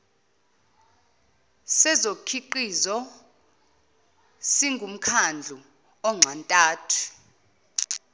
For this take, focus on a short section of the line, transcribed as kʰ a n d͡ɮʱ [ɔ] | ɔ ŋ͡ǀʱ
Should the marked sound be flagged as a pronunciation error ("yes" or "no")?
yes